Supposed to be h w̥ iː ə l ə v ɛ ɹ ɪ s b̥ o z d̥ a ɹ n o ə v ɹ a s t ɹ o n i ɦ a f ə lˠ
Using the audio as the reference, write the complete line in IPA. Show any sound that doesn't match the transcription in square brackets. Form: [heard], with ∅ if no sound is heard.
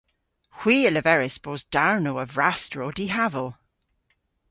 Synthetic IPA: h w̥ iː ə l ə v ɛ ɹ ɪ s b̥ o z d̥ a ɹ n o ə v ɹ a s t ɹ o [d] i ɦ a [v] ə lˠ